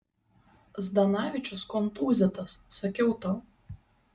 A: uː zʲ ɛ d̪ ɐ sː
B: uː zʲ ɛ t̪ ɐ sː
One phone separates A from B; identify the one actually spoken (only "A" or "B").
B